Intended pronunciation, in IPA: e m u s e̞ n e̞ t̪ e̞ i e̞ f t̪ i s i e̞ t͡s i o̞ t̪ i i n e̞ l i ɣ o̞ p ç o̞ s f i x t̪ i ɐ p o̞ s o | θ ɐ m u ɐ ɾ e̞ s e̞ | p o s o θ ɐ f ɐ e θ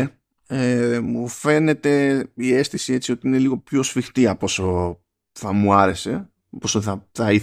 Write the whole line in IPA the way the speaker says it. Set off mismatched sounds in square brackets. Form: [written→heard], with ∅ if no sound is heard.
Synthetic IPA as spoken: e m u [s→f] e̞ n e̞ t̪ e̞ i e̞ [f→s] t̪ i s i e̞ t͡s i o̞ t̪ i i n e̞ l i ɣ o̞ p ç o̞ s f i x t̪ i ɐ p o̞ s o | θ ɐ m u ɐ ɾ e̞ s e̞ | p o s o θ ɐ [f→θ] ɐ [e→i] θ